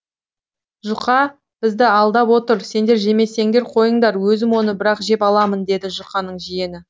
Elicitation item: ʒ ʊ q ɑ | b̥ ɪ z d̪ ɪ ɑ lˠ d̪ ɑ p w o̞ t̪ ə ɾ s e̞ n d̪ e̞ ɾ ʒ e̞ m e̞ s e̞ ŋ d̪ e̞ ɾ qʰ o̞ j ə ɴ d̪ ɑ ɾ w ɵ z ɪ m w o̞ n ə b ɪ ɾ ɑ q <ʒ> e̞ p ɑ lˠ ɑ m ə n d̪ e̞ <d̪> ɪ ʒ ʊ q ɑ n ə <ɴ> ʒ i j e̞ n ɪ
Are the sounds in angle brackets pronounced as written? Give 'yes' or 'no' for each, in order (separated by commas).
yes, yes, yes